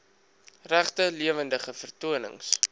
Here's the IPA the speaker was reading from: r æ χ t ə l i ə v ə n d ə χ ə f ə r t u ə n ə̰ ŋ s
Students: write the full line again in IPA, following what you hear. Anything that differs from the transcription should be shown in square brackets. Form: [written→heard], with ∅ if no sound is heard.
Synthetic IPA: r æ χ t ə l i ə v ə n d ə χ ə f ə r t u ə n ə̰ ŋ s